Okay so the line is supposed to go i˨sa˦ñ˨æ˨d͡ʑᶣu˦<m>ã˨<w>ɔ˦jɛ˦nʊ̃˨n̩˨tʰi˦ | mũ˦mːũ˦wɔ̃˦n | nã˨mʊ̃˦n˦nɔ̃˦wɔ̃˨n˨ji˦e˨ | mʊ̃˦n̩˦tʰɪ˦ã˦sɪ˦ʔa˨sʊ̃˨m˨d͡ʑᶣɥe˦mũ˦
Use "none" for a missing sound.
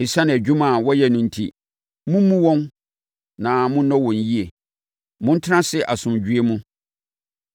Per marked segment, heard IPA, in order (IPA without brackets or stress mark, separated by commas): m, w